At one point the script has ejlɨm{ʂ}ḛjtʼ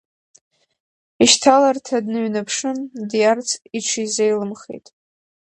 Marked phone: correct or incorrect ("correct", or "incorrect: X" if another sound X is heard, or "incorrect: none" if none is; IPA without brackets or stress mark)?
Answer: incorrect: χ